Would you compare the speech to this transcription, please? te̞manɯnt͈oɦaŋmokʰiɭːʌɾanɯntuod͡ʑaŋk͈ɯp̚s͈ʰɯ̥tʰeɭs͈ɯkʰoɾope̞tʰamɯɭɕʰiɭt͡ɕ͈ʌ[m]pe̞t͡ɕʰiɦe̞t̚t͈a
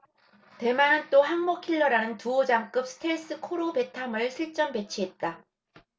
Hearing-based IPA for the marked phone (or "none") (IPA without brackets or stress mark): m